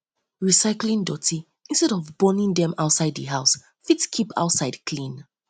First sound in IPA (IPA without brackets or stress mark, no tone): ɹ